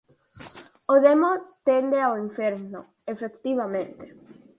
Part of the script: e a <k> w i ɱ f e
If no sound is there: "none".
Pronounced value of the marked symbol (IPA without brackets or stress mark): none